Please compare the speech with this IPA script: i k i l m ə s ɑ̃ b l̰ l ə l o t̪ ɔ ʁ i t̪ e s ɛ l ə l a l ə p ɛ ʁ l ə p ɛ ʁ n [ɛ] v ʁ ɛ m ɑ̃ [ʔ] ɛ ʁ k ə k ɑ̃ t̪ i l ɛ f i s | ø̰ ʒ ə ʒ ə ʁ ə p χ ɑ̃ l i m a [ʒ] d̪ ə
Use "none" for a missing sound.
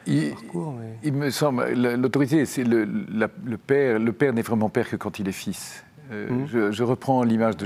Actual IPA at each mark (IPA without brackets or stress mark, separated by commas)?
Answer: ɛ, p, ʒ